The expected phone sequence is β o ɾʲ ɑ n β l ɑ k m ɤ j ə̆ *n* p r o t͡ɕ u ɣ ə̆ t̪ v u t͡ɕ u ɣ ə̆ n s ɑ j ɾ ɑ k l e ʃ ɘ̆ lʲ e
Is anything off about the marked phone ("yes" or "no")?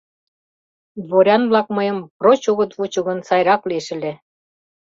yes